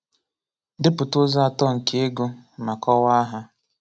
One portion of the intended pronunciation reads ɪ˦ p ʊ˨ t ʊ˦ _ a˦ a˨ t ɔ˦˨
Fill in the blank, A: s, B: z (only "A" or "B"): B